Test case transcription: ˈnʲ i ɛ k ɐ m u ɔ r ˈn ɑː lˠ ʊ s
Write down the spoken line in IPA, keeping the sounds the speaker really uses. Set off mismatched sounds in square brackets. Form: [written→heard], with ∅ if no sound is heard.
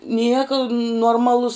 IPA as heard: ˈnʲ i ɛ k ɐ [m→n] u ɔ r [ˈn→ˈm] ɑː lˠ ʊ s